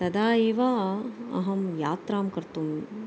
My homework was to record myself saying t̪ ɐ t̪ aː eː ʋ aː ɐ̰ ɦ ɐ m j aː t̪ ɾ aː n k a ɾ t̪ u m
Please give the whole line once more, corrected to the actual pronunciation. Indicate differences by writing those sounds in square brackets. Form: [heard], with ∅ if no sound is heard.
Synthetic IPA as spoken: t̪ ɐ [d̪] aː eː ʋ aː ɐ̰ ɦ ɐ m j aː t̪ ɾ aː [m] k [ɐ] ɾ t̪ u m